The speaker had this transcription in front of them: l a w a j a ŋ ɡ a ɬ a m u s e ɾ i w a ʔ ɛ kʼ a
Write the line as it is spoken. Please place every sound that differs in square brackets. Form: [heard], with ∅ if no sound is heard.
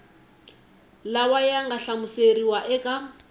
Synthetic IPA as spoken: l a w a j a ŋ ɡ a ɬ a m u s e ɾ i w a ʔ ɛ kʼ a